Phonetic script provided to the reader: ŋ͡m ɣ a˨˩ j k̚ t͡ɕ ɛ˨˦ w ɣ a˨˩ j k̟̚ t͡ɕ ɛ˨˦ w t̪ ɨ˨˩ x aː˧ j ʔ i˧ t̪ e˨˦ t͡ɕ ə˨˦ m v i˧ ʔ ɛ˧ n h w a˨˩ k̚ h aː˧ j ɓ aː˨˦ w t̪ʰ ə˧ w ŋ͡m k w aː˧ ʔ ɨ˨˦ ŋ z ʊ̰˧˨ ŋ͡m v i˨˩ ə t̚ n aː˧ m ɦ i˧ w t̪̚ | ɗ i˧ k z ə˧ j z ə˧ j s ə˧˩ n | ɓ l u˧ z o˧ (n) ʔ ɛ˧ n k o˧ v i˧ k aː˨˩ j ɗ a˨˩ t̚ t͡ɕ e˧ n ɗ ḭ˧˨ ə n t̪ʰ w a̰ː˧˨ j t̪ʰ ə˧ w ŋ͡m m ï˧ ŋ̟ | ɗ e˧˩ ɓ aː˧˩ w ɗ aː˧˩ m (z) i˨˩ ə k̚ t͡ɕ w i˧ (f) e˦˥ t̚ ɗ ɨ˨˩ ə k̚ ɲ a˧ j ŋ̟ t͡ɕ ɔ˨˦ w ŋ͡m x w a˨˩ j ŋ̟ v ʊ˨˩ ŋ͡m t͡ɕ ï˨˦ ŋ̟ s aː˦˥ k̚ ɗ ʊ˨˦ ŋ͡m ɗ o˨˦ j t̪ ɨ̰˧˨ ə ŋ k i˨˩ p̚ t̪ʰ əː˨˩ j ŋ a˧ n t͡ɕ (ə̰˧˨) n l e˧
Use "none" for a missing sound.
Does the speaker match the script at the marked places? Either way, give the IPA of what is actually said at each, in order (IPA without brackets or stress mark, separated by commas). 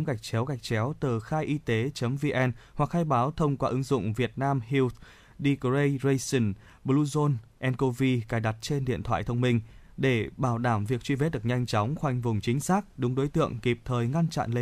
n, v, v, a̰˧˨